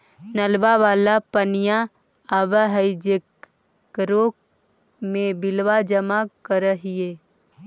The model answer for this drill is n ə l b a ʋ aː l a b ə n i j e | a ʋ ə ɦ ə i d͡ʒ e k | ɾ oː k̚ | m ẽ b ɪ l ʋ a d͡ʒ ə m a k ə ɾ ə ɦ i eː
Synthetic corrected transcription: n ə l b a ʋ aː l a p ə n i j a | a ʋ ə ɦ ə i d͡ʒ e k | ɾ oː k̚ | m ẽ b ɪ l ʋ a d͡ʒ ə m a k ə ɾ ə ɦ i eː